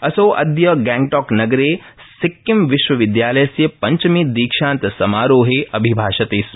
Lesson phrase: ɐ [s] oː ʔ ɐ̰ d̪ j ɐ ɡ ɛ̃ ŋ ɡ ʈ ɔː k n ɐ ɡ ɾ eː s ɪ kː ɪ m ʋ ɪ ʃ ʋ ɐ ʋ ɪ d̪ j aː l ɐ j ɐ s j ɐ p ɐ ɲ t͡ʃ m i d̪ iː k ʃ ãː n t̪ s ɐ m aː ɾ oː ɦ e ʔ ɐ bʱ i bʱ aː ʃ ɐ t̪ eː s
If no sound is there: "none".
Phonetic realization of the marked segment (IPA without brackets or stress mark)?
s